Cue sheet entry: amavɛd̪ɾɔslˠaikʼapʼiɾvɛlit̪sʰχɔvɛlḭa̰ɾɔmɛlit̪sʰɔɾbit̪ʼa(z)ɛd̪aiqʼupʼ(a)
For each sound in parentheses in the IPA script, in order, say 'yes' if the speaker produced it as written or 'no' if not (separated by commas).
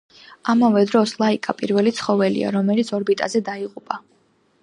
yes, yes